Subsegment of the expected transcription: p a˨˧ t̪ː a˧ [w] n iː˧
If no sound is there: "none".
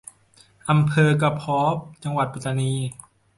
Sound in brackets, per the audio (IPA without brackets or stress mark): none